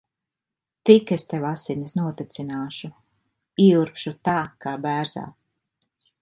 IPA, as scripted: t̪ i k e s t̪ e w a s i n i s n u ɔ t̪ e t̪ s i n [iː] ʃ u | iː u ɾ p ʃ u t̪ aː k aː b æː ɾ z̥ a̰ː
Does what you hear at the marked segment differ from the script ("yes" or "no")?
yes